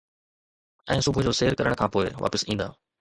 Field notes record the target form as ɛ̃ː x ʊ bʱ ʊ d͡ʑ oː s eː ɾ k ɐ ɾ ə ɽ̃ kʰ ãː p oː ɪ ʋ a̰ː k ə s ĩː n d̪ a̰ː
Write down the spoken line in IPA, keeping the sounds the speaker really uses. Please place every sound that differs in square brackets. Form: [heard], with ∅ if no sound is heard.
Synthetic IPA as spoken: ɛ̃ː [s] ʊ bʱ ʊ d͡ʑ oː s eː ɾ k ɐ ɾ ə ɽ̃ kʰ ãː p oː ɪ ʋ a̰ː [p] ə s ĩː n d̪ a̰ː